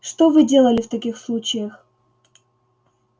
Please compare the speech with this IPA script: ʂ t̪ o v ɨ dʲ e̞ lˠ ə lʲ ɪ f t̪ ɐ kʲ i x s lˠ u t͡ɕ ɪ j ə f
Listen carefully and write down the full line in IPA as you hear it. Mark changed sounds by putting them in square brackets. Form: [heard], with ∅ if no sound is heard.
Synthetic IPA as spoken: ʂ t̪ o v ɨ dʲ e̞ lˠ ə lʲ ɪ f t̪ ɐ kʲ i x s lˠ u t͡ɕ ɪ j ə [x]

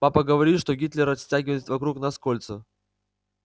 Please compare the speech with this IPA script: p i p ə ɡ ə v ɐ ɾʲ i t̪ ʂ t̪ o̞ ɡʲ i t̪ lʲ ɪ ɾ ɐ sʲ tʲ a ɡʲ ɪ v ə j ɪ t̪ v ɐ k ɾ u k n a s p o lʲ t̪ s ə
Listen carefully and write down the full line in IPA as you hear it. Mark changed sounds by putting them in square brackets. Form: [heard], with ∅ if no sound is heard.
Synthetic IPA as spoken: p [a] p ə ɡ ə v ɐ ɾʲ i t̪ ʂ t̪ o̞ ɡʲ i t̪ lʲ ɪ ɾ ɐ sʲ tʲ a ɡʲ ɪ v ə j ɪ t̪ v ɐ k ɾ u k n a s [k] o lʲ t̪ s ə

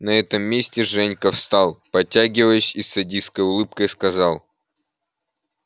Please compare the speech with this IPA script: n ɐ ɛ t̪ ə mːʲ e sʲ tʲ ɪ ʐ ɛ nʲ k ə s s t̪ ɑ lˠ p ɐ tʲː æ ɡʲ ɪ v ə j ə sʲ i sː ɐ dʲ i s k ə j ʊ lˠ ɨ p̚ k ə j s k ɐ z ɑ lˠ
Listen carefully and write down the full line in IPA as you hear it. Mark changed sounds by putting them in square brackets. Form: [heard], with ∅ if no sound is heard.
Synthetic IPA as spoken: n ɐ ɛ t̪ ə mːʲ e sʲ tʲ ɪ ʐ ɛ nʲ k ə [f] s t̪ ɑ lˠ p ɐ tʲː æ ɡʲ ɪ v ə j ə sʲ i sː ɐ dʲ i s k ə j ʊ lˠ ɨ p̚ k ə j s k ɐ z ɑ lˠ

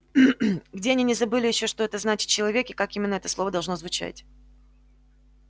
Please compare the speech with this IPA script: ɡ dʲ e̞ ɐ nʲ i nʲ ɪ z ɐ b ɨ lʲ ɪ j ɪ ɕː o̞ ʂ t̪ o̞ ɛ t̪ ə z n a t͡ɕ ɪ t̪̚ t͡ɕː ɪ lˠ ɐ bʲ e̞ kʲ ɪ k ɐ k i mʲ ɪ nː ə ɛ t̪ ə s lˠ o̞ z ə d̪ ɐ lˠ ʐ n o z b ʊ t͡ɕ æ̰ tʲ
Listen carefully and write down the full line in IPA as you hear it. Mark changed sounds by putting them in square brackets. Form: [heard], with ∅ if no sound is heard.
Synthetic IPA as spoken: ɡ dʲ e̞ ɐ nʲ i nʲ ɪ z ɐ b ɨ lʲ ɪ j ɪ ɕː o̞ ʂ t̪ o̞ ɛ t̪ ə z n a t͡ɕ ɪ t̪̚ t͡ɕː ɪ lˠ ɐ [vʲ] e̞ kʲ ɪ k [a] k i mʲ ɪ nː ə ɛ t̪ ə s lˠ o̞ [v] ə d̪ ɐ lˠ ʐ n o z [v] ʊ t͡ɕ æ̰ tʲ

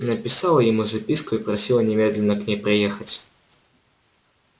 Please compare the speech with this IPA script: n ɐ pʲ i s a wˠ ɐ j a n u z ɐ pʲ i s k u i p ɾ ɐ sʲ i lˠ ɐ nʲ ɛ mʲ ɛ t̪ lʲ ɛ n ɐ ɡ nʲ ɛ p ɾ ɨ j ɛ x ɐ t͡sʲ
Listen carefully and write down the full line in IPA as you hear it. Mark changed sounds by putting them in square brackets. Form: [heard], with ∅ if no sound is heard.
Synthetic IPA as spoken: n ɐ pʲ i s a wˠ ɐ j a [m] u z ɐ pʲ i s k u i p ɾ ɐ sʲ i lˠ ɐ nʲ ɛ mʲ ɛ [d̪] lʲ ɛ n ɐ [k] nʲ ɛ p ɾ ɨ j ɛ x ɐ t͡sʲ

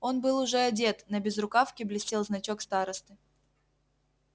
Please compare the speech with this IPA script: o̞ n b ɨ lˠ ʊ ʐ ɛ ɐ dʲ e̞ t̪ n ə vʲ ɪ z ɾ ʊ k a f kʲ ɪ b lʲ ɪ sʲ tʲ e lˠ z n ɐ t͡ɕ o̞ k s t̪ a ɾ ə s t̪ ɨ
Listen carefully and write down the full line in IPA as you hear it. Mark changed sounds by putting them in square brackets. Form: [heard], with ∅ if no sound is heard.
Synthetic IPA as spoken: o̞ n b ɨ lˠ ʊ ʐ ɛ ɐ dʲ e̞ t̪ n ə [bʲ] ɪ z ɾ ʊ k a f kʲ ɪ b lʲ ɪ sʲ tʲ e lˠ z n ɐ t͡ɕ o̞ k s t̪ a ɾ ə s t̪ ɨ

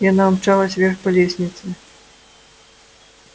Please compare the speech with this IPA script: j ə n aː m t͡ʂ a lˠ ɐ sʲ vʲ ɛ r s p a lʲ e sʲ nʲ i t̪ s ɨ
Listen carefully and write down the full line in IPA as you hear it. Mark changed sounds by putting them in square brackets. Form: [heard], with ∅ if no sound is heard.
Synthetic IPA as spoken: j [a] n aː m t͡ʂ a lˠ ɐ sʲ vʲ ɛ r [x] p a lʲ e sʲ nʲ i t̪ s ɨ

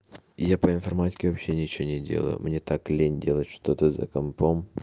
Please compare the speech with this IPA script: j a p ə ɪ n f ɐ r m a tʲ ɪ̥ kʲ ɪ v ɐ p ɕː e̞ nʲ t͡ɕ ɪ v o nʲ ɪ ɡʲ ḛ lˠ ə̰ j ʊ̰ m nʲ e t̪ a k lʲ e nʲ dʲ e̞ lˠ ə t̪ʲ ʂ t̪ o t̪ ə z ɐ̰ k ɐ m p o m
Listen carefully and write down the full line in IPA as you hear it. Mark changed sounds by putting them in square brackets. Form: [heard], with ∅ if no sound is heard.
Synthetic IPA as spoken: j a p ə ɪ n f ɐ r m a tʲ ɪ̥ kʲ ɪ v ɐ p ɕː e̞ nʲ t͡ɕ ɪ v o nʲ ɪ [dʲ] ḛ lˠ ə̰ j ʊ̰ m nʲ e t̪ a k lʲ e nʲ dʲ e̞ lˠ ə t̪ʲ ʂ t̪ o t̪ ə z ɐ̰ k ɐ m p o m

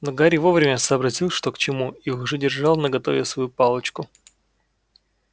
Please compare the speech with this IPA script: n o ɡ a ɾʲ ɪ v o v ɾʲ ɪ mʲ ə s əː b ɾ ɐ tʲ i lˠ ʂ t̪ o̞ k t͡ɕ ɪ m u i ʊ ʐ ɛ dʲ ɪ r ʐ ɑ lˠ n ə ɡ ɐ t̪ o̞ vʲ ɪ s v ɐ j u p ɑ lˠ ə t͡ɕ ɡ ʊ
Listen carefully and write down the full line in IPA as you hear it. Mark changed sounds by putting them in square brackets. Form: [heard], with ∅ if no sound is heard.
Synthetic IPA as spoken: n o ɡ a ɾʲ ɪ v o v ɾʲ ɪ mʲ ə s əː b ɾ ɐ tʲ i lˠ ʂ t̪ o̞ k t͡ɕ ɪ m u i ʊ ʐ ɛ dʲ ɪ r ʐ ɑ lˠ n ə ɡ ɐ t̪ o̞ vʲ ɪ s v ɐ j u p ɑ lˠ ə t͡ɕ [k] ʊ

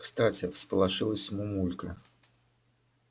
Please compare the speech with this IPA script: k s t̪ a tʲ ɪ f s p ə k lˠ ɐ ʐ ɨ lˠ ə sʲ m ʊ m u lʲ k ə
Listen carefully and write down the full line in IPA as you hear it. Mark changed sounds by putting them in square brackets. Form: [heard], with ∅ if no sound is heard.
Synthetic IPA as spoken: k s t̪ a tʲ ɪ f s p ə [∅] lˠ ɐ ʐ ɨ lˠ ə sʲ m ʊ m u lʲ k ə

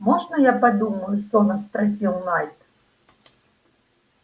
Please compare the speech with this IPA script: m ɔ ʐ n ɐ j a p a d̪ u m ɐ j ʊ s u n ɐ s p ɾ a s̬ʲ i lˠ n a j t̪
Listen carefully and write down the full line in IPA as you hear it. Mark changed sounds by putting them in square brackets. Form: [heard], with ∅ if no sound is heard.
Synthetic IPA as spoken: m ɔ ʐ n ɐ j a p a d̪ u m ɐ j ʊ s [ɔ] n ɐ s p ɾ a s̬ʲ i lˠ n a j t̪

